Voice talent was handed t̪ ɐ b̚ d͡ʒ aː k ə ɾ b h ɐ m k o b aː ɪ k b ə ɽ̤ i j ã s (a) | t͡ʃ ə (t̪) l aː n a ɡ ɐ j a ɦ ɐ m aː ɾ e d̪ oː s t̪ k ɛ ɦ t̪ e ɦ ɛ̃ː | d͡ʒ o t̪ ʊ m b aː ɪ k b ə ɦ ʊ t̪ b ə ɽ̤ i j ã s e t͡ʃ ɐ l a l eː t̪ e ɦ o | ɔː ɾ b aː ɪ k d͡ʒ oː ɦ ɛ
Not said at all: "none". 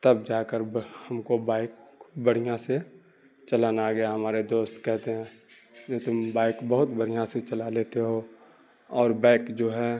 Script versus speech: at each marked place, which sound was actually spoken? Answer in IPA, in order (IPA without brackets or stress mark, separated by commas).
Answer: e, none